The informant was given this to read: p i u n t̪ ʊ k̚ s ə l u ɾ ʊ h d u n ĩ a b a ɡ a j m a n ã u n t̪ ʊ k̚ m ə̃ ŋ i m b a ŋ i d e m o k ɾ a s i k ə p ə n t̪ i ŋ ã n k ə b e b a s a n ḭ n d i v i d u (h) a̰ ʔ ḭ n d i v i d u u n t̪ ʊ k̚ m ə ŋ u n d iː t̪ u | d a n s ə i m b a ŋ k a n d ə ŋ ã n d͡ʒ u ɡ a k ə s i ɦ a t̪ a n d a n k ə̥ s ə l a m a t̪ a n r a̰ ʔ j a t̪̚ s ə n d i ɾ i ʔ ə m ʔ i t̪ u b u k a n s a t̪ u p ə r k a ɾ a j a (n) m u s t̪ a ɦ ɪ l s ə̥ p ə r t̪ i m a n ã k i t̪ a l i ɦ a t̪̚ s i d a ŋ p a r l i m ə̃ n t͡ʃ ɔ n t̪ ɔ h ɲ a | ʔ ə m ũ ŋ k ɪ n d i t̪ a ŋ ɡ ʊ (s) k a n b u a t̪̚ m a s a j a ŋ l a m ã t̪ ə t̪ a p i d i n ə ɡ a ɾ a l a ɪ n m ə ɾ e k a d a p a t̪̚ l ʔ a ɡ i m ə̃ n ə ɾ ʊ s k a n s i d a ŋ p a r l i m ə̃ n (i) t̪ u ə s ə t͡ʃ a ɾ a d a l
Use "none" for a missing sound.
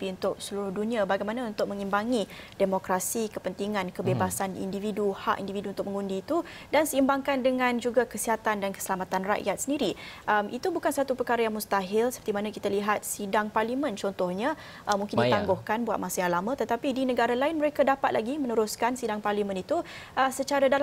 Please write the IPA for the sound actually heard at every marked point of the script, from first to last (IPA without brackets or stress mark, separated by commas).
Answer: h, ŋ, h, i